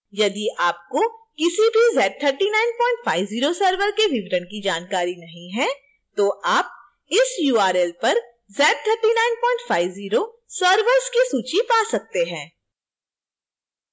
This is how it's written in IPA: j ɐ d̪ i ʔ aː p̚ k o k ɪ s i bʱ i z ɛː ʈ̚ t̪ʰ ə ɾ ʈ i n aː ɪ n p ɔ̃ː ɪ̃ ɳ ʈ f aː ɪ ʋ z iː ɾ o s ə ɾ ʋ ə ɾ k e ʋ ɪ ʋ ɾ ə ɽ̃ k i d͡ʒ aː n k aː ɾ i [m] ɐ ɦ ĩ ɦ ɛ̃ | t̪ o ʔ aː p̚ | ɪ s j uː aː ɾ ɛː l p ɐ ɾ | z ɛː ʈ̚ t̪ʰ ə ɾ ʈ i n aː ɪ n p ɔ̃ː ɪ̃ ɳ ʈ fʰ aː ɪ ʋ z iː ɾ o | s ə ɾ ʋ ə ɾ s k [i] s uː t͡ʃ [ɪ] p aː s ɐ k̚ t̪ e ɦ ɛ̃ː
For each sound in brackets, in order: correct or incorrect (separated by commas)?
incorrect, correct, incorrect